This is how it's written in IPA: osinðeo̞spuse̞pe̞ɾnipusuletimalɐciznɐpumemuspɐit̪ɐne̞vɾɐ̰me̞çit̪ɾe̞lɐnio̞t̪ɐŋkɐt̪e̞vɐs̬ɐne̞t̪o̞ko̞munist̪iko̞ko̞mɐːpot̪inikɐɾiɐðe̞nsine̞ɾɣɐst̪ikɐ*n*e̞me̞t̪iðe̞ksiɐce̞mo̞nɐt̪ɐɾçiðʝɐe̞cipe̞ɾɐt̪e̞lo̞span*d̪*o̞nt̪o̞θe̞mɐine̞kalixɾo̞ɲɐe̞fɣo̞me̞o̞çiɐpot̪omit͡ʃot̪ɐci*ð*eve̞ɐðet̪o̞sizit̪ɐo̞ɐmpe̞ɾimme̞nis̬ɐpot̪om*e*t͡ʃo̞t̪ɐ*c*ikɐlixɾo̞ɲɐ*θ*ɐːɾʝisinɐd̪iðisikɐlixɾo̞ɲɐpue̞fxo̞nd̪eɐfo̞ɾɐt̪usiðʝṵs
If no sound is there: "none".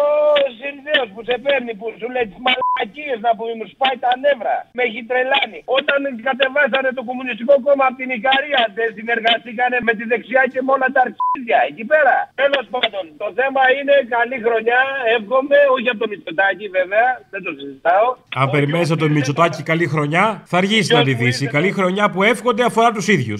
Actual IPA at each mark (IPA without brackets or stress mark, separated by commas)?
n, d̪, v, i, c, θ